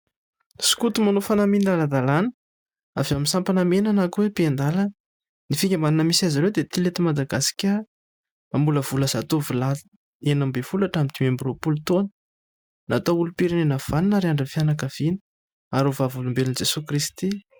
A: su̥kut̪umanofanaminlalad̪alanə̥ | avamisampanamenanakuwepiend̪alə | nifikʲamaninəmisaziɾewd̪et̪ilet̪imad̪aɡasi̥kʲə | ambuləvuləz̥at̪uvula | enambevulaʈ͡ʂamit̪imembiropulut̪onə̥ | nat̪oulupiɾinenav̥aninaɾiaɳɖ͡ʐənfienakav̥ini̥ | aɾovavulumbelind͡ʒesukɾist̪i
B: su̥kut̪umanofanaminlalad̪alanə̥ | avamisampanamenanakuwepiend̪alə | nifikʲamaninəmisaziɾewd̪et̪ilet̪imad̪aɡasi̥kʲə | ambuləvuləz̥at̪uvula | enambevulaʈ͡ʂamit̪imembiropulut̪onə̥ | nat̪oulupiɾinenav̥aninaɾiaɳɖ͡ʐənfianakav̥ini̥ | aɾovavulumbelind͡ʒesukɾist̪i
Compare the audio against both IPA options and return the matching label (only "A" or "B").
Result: B